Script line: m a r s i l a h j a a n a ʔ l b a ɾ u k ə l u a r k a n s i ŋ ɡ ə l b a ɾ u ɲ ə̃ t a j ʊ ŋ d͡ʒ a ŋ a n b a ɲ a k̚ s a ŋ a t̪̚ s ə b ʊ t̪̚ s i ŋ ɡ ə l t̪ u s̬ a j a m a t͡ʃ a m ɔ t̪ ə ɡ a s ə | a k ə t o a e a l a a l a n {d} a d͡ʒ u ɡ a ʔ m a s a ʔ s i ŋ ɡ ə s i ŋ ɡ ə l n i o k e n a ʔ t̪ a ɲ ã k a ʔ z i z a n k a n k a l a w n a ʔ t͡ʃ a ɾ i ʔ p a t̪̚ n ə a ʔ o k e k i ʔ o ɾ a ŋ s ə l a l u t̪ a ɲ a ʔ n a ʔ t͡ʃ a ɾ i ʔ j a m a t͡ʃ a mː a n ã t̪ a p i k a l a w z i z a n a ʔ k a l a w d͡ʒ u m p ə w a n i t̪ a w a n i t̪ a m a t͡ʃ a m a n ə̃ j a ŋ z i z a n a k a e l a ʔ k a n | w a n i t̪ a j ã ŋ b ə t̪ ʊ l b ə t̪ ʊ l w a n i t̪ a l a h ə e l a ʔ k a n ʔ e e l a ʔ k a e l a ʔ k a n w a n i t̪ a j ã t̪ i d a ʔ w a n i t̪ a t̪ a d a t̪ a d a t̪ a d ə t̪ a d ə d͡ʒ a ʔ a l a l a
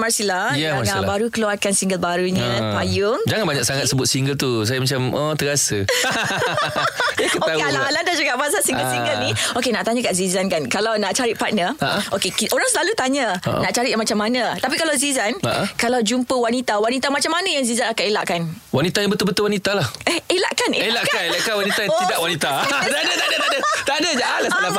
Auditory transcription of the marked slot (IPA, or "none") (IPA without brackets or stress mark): d